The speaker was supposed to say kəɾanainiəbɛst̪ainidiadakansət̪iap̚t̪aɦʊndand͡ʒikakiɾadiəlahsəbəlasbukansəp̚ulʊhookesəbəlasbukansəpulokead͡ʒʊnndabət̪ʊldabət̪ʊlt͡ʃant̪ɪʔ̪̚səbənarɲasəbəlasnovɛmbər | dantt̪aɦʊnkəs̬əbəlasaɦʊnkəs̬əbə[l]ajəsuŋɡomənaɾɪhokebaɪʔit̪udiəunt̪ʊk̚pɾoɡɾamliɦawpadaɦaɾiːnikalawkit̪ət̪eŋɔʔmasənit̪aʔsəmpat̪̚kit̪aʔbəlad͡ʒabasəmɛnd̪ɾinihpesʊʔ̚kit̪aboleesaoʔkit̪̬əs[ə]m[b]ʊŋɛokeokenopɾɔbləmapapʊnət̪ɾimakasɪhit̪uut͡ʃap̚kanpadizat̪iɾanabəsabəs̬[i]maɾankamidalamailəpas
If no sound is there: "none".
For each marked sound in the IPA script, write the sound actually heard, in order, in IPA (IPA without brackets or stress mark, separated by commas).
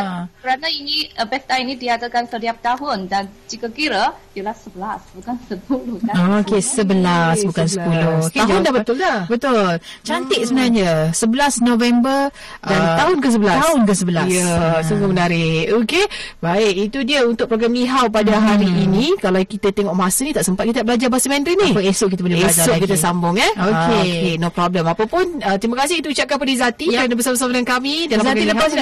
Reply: l, a, b, a